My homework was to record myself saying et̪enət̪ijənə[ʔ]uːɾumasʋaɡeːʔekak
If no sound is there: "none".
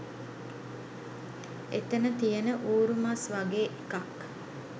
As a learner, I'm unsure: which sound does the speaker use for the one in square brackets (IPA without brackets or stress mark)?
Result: ʔ